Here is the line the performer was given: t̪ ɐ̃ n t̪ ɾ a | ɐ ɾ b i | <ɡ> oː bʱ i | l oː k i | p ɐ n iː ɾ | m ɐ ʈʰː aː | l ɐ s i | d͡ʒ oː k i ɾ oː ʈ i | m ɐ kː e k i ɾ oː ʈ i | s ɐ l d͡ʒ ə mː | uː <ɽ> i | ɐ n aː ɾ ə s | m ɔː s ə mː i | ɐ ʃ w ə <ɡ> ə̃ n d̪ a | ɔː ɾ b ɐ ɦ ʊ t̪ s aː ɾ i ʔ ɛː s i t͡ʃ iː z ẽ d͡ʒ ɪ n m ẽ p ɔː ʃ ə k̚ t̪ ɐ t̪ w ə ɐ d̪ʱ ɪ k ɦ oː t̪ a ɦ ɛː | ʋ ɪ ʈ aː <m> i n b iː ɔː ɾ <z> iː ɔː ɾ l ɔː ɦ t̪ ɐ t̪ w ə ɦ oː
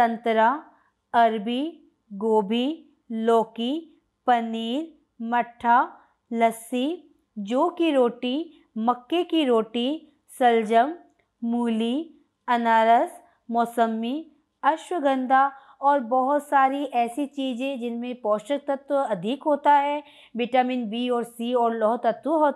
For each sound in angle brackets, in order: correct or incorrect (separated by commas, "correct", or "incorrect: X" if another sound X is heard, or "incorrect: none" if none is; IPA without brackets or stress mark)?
correct, incorrect: l, correct, correct, incorrect: s